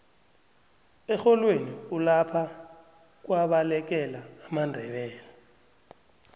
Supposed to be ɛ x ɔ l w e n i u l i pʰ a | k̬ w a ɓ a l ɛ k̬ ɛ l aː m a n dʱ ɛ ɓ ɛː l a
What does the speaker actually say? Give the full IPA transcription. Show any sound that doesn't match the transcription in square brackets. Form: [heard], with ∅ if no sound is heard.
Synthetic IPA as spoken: ɛ x ɔ l w e n i u l [a] pʰ a | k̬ w a ɓ a l ɛ k̬ ɛ l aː m a n dʱ ɛ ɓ ɛː l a